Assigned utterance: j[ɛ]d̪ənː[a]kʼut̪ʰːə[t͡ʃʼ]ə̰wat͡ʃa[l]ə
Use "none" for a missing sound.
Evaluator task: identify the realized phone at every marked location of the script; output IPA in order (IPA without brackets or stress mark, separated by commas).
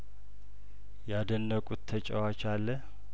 a, ə, t͡ʃʼ, lː